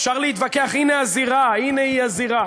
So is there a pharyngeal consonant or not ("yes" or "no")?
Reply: no